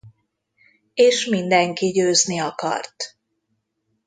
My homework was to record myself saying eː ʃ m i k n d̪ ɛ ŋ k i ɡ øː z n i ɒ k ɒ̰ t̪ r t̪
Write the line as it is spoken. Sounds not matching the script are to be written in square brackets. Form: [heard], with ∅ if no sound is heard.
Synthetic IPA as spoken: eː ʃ m i [∅] n d̪ ɛ ŋ k i [ɟ] øː z n i ɒ k ɒ̰ [∅] r t̪